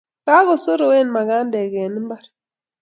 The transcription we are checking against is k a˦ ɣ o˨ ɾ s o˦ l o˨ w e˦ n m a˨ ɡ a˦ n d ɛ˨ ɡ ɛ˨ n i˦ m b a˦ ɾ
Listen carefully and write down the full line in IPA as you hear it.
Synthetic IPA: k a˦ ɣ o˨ s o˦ ɾ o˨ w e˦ n m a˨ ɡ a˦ n d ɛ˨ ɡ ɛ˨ n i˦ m b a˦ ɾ